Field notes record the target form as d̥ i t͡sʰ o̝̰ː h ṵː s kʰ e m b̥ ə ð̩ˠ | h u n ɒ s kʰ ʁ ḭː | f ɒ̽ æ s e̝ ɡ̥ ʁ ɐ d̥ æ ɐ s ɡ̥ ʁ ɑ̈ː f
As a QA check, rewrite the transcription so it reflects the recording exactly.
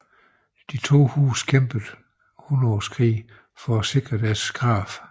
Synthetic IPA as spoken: d̥ i t͡sʰ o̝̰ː h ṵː s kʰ e m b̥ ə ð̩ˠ | h u n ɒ s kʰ ʁ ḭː | f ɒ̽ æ s e̝ ɡ̥ ʁ ɐ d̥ æ ɐ s ɡ̥ ʁ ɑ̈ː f